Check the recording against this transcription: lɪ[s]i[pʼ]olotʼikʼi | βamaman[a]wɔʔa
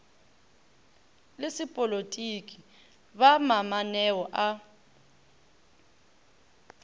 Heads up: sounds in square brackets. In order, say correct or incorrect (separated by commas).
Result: correct, correct, incorrect